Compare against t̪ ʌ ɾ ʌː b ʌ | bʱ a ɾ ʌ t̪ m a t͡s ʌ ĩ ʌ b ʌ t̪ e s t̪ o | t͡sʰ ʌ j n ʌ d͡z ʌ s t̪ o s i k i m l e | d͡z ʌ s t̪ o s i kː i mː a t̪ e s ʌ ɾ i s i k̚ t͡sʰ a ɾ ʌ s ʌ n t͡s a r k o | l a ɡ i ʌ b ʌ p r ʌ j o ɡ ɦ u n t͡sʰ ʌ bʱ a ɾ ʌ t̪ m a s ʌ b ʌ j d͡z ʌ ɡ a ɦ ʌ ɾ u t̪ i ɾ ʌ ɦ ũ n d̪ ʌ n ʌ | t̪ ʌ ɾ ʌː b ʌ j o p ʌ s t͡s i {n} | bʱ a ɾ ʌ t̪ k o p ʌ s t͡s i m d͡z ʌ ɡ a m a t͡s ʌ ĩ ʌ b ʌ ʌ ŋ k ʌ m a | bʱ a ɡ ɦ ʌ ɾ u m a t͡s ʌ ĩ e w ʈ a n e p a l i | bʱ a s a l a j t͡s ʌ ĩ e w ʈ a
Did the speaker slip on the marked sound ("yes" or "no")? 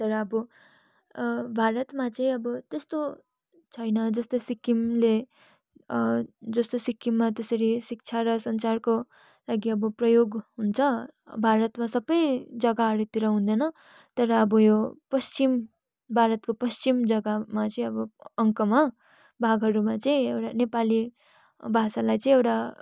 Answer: yes